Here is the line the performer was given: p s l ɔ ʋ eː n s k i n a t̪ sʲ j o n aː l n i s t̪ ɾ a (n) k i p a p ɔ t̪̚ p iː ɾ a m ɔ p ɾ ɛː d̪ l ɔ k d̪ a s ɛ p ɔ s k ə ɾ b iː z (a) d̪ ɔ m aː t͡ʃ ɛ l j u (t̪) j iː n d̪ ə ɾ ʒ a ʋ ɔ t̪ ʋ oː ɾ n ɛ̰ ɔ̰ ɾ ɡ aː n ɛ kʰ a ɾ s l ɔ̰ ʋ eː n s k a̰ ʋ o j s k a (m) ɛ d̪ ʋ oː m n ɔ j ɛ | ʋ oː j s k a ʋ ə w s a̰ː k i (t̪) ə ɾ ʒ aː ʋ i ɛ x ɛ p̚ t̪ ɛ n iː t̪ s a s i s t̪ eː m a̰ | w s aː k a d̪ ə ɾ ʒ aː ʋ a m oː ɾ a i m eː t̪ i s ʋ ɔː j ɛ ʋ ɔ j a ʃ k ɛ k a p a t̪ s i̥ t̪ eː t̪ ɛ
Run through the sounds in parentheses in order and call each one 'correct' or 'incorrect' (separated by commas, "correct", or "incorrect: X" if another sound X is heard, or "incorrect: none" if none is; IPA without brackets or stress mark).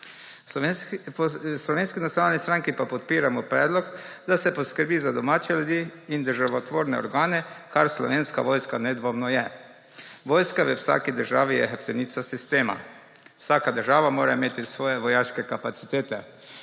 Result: incorrect: ŋ, correct, incorrect: d̪, incorrect: n, incorrect: d̪